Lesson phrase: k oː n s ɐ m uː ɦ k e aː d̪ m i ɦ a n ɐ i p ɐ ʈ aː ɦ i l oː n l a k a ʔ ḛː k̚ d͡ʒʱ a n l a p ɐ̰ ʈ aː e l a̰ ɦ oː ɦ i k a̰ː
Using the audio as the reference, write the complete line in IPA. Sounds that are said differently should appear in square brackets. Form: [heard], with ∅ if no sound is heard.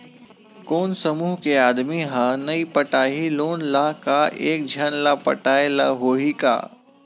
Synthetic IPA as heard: k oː n s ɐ m uː ɦ k e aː d̪ m i ɦ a n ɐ i p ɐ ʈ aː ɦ i l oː n l a k a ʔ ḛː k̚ d͡ʒʱ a n l a p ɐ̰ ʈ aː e l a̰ ɦ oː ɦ i k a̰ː